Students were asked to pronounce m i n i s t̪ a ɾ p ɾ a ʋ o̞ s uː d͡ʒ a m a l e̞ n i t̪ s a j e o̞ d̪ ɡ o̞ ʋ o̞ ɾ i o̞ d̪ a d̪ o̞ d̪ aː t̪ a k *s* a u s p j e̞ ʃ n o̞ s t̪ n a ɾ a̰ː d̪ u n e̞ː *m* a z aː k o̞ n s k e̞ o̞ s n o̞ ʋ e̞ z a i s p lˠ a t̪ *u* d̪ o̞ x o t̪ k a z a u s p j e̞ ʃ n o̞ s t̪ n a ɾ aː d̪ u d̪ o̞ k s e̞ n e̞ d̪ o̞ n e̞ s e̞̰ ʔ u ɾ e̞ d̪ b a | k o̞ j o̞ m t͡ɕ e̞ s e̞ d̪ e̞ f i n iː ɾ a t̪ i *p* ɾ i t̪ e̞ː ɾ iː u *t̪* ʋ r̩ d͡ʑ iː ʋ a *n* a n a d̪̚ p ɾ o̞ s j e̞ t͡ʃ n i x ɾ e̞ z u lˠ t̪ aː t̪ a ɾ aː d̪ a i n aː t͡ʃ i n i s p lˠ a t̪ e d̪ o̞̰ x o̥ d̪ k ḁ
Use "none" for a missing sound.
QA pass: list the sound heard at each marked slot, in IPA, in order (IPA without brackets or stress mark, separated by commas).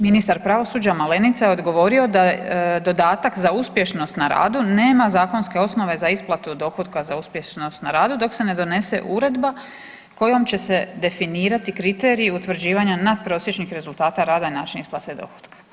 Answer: z, m, u, k, t̪, ɲ